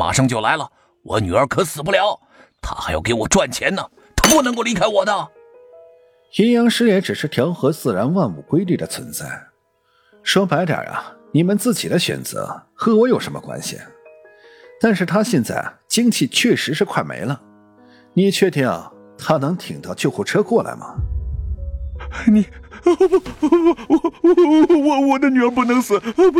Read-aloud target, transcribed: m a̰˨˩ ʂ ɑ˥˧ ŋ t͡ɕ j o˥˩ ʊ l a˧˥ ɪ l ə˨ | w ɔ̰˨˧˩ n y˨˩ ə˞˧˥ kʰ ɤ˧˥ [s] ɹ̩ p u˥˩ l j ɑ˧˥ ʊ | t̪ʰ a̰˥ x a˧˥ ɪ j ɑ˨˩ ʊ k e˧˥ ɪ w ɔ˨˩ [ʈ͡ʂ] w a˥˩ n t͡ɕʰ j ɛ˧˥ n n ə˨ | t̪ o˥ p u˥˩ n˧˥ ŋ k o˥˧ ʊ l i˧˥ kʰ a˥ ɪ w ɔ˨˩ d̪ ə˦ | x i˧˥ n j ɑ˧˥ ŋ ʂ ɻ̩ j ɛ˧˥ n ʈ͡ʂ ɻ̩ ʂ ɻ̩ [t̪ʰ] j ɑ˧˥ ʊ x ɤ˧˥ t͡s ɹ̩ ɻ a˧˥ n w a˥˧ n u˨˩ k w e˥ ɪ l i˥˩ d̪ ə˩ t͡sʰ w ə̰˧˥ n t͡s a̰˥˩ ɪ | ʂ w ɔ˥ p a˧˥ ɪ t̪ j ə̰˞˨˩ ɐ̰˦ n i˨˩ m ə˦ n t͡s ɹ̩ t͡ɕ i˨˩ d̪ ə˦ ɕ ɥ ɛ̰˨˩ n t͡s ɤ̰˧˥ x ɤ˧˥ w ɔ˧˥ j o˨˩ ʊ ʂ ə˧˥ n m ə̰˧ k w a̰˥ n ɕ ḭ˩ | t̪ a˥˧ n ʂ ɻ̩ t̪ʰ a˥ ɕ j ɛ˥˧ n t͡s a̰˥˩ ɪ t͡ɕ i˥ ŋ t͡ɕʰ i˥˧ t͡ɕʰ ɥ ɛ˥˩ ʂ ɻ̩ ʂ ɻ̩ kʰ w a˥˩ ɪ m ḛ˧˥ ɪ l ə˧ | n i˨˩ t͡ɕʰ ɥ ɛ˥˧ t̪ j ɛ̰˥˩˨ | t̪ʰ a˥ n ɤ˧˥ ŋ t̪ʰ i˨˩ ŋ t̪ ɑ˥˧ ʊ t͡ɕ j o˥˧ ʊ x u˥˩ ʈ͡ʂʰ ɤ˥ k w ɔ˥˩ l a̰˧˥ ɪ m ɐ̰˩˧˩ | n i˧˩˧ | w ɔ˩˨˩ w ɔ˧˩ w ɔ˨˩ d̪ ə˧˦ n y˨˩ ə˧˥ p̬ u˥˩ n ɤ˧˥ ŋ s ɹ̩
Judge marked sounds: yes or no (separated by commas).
yes, yes, yes